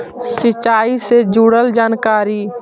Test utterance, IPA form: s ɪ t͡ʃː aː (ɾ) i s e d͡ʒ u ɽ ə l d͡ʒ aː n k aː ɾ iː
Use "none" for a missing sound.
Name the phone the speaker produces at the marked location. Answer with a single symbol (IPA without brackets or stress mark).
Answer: none